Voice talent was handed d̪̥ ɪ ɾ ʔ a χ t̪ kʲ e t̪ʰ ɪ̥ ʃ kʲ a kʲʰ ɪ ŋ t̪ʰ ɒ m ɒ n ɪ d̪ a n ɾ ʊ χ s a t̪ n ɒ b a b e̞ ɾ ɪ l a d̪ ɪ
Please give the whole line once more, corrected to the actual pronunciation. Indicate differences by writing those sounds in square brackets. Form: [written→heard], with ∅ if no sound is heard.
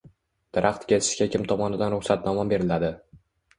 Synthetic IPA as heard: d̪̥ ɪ ɾ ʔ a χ t̪ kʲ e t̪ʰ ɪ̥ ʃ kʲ a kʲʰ ɪ [ŋ→m] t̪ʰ ɒ m ɒ n ɪ d̪ a n ɾ ʊ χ s a t̪ n ɒ [b→m] a b e̞ ɾ ɪ l a d̪ ɪ